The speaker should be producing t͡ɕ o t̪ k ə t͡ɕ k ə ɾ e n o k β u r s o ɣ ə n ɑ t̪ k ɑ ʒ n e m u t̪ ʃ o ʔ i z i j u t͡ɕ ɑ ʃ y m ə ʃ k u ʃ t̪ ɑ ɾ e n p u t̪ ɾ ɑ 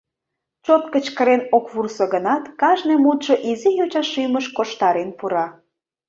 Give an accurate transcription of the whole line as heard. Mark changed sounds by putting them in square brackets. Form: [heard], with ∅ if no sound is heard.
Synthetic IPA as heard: t͡ɕ o t̪ k ə t͡ɕ k ə ɾ e n o k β u r s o ɣ ə n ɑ t̪ k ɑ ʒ n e m u t̪ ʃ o ʔ i z i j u t͡ɕ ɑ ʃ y m ə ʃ k [o] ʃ t̪ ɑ ɾ e n p u [∅] ɾ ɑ